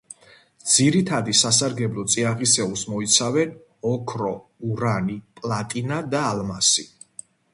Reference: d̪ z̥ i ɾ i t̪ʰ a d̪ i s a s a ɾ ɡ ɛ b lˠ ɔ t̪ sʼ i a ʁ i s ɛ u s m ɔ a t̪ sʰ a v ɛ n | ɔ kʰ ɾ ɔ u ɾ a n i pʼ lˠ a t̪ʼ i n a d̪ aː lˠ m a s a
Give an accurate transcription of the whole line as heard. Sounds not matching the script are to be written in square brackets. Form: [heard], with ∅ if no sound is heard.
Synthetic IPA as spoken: d̪ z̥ i ɾ i t̪ʰ a d̪ i s a s a ɾ ɡ ɛ b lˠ ɔ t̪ sʼ i a ʁ i s ɛ u s m ɔ [i] t̪ sʰ a v ɛ n | ɔ kʰ ɾ ɔ u ɾ a n i pʼ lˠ a t̪ʼ i n a d̪ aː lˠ m a s [i]

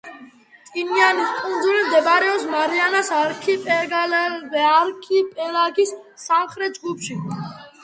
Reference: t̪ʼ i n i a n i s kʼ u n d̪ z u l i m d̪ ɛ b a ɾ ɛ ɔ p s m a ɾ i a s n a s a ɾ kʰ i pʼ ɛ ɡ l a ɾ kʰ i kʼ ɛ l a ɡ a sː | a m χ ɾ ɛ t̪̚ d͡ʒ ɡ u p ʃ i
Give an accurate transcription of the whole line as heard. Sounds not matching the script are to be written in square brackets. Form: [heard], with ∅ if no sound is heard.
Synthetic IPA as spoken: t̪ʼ i n i a n i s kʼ u n d̪ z u l i m d̪ ɛ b a ɾ ɛ ɔ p s m a ɾ i a [∅] n a s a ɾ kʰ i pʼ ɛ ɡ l a ɾ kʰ i [pʼ] ɛ l a ɡ [i] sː | a m χ ɾ ɛ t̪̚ d͡ʒ ɡ u p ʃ i

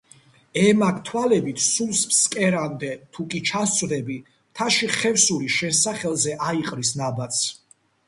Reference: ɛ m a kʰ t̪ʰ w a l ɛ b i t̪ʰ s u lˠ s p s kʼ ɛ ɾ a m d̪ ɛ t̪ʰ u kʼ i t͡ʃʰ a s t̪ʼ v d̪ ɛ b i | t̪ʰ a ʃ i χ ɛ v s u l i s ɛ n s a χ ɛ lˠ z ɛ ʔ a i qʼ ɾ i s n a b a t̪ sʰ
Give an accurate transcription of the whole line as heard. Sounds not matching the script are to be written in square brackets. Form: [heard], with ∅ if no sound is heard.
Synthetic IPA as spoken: ɛ m a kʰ t̪ʰ w a l ɛ b i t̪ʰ s u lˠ s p s kʼ ɛ ɾ a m d̪ ɛ t̪ʰ u kʼ i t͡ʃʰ a s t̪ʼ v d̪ ɛ b i | t̪ʰ a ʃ i χ ɛ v s u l i [ʃ] ɛ n s a χ ɛ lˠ z ɛ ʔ a i qʼ ɾ i s n a b a t̪ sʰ

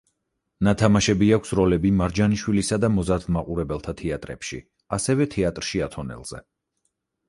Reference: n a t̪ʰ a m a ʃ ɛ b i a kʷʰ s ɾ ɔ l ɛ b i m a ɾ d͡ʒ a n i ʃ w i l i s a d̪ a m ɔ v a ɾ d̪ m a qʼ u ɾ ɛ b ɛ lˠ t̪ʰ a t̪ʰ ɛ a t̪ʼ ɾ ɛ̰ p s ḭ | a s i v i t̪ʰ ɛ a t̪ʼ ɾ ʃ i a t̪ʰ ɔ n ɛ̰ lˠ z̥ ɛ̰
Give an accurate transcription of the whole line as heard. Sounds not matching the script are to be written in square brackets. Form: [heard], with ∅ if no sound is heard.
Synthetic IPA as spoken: n a t̪ʰ a m a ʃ ɛ b i a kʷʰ s ɾ ɔ l ɛ b i m a ɾ d͡ʒ a n i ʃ w i l i s a d̪ a m ɔ [z] a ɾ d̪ m a qʼ u ɾ ɛ b ɛ lˠ t̪ʰ a t̪ʰ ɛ a t̪ʼ ɾ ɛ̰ p [ʃ] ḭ | a s [ɛ] v [ɛ] t̪ʰ ɛ a t̪ʼ ɾ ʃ i a t̪ʰ ɔ n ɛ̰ lˠ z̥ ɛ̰

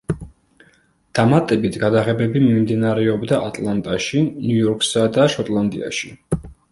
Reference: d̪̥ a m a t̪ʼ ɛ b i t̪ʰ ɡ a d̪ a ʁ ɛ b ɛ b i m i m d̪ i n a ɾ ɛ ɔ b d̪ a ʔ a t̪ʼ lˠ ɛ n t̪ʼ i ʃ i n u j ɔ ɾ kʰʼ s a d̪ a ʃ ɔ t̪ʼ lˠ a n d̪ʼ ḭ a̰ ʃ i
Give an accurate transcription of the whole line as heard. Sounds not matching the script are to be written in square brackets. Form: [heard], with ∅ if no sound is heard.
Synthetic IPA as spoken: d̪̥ a m a t̪ʼ ɛ b i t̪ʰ ɡ a d̪ a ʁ ɛ b ɛ b i m i m d̪ i n a ɾ ɛ ɔ b d̪ a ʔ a t̪ʼ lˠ [a] n t̪ʼ [a] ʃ i n u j ɔ ɾ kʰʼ s a d̪ a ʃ ɔ t̪ʼ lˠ a n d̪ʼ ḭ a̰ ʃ i

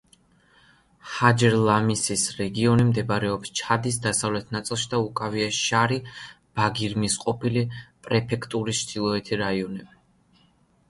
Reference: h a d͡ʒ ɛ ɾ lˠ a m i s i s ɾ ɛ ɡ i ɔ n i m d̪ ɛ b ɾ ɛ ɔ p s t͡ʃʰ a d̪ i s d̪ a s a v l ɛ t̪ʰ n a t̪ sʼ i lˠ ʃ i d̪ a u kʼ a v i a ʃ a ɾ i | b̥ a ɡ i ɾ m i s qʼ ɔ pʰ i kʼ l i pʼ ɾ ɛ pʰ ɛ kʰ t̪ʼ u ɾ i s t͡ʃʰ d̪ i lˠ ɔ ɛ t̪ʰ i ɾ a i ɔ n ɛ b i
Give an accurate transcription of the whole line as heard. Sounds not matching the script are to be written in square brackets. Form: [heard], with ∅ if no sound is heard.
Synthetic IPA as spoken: h a d͡ʒ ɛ ɾ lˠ a m i s i s ɾ ɛ ɡ i ɔ n i m d̪ ɛ b ɾ ɛ ɔ p s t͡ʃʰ a d̪ i s d̪ a s a v l ɛ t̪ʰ n a t̪ sʼ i lˠ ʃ i d̪ a u kʼ a v i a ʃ a ɾ i | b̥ a ɡ i ɾ m i s qʼ ɔ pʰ i [∅] l i pʼ ɾ ɛ pʰ ɛ kʰ t̪ʼ u ɾ i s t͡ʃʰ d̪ i lˠ ɔ ɛ t̪ʰ i ɾ a i ɔ n ɛ b i

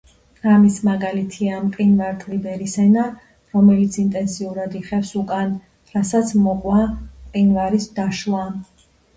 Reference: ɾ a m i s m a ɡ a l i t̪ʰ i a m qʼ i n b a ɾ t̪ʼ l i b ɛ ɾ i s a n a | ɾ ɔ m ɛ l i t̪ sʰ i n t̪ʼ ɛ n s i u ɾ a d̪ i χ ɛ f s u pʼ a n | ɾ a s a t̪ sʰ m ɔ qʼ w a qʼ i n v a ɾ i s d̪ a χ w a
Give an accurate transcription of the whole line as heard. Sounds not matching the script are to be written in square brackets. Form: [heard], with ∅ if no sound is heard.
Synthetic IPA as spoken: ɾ a m i s m a ɡ a l i t̪ʰ i a m qʼ i n [v] a ɾ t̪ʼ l i b ɛ ɾ i s [ɛ] n a | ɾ ɔ m ɛ l i t̪ sʰ i n t̪ʼ ɛ n s i u ɾ a d̪ i χ ɛ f s u [kʼ] a n | ɾ a s a t̪ sʰ m ɔ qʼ w a qʼ i n v a ɾ i s d̪ a [ʃ] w a

